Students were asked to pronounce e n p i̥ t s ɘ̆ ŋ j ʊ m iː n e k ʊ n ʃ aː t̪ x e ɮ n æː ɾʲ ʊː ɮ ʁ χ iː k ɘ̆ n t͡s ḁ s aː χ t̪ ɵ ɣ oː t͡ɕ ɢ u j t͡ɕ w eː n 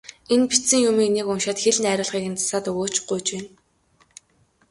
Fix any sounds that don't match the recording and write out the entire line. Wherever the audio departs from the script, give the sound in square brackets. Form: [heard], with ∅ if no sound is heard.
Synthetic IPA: e n p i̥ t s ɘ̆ ŋ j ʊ m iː n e k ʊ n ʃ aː t̪ x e ɮ n æː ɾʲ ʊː ɮ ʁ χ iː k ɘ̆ n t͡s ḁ s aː [∅] t̪ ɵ ɣ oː t͡ɕ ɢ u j t͡ɕ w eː n